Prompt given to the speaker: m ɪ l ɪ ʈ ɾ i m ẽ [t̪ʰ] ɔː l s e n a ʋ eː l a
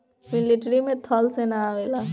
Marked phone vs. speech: correct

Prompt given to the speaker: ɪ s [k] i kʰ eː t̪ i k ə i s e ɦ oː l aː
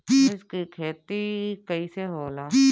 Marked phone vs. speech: correct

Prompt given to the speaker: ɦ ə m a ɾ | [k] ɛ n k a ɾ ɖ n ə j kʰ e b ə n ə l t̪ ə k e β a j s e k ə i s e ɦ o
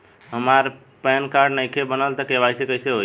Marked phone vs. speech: incorrect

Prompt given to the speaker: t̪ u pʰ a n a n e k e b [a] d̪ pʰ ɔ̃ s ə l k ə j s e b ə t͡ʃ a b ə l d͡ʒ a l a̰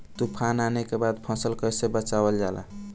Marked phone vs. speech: correct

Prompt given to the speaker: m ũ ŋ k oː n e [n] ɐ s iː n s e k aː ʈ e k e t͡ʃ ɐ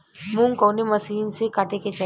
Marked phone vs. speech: incorrect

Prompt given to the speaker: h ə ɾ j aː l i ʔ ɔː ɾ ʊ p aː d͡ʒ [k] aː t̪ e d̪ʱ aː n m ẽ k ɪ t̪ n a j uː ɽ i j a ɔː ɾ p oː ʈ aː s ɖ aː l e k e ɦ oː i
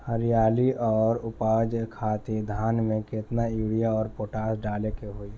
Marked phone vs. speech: incorrect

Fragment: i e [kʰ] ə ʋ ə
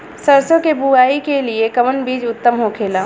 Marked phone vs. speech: incorrect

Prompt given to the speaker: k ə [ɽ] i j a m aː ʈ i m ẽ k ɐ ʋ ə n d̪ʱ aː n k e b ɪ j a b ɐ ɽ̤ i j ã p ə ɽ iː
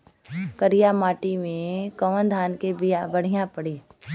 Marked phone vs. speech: incorrect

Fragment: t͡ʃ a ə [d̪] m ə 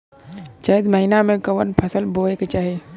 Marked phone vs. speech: correct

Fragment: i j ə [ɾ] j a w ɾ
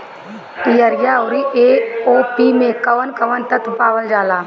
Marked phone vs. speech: correct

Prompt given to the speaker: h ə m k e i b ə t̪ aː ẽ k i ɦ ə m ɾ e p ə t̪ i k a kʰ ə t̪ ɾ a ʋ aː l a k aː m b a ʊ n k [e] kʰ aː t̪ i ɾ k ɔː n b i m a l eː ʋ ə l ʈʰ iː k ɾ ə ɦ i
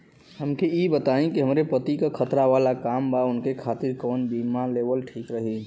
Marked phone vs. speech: correct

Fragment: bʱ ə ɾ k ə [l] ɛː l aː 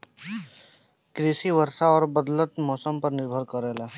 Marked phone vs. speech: incorrect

